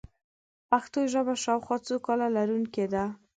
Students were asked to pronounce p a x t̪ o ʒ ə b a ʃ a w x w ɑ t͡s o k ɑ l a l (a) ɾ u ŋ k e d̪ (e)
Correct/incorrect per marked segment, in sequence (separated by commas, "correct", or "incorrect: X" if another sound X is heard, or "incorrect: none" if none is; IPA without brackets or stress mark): correct, incorrect: a